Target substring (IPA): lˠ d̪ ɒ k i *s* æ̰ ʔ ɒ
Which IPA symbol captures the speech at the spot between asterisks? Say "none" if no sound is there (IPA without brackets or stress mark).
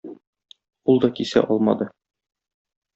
s